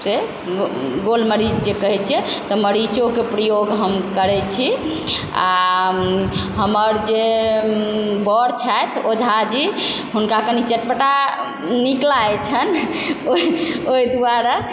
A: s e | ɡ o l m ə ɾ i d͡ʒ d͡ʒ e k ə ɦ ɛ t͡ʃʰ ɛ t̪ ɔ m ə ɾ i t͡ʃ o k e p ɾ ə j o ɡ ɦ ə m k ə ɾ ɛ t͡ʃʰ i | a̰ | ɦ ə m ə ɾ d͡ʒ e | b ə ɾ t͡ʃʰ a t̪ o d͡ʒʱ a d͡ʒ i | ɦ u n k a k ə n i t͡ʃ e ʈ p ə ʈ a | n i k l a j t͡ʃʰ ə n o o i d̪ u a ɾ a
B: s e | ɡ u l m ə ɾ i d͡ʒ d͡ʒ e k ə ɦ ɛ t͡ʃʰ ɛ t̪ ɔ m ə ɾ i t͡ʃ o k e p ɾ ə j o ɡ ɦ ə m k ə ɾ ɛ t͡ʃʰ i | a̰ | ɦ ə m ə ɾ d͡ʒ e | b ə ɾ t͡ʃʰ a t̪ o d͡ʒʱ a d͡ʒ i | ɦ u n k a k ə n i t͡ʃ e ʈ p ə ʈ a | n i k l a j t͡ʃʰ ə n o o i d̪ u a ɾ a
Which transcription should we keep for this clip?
A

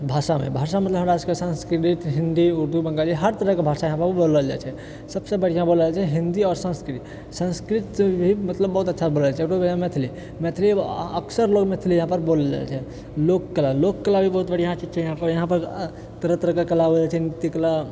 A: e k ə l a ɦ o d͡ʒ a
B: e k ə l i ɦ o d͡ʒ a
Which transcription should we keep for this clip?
A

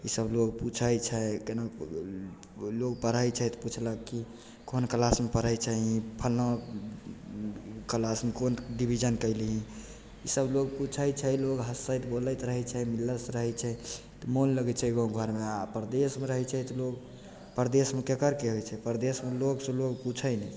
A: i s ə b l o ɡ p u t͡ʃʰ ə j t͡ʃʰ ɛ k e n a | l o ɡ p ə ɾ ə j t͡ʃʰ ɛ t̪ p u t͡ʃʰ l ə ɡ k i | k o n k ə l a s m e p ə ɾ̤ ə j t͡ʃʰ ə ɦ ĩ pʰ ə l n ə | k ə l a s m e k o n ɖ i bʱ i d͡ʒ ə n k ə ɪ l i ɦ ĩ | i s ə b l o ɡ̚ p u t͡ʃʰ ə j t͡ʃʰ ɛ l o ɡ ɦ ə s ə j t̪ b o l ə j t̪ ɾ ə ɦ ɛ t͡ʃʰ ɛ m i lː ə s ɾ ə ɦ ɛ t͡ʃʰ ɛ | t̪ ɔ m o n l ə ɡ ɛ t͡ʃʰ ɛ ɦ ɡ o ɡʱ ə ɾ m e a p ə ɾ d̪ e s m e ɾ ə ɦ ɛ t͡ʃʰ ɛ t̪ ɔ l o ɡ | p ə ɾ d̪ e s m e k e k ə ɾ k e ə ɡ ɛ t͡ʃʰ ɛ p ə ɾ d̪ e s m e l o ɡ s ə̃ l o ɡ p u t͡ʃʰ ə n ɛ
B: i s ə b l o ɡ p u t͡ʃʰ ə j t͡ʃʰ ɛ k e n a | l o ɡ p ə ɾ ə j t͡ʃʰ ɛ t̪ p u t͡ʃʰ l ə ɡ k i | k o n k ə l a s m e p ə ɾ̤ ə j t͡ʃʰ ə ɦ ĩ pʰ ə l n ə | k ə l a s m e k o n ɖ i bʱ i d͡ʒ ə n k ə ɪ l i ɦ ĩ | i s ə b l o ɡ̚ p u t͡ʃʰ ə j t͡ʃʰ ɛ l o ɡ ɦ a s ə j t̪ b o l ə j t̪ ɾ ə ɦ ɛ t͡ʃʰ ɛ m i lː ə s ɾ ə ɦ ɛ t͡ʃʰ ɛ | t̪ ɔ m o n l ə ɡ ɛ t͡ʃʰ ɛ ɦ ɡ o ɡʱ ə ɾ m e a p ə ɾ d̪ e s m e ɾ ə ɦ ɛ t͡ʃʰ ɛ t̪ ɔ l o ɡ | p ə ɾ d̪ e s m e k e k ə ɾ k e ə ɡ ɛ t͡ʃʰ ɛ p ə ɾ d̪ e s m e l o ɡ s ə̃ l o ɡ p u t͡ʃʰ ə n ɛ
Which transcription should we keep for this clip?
A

